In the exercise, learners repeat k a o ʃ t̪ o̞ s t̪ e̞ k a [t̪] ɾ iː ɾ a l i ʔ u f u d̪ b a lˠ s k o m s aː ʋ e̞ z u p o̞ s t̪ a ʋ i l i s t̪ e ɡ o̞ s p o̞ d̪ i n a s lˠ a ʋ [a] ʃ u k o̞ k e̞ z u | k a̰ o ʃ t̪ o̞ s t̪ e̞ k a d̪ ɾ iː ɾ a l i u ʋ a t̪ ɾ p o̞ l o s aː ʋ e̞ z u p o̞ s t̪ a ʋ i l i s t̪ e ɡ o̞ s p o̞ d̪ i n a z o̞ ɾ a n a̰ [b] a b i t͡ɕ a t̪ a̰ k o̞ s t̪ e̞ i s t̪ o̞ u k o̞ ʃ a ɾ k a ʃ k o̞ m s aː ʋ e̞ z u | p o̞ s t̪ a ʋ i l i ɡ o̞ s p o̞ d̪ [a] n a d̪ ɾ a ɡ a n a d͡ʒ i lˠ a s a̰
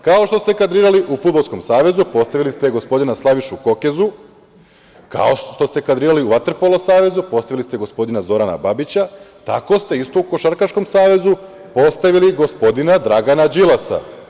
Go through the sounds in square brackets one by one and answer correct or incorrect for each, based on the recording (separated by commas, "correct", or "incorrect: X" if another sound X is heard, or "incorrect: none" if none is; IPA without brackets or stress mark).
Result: incorrect: d̪, incorrect: i, correct, incorrect: i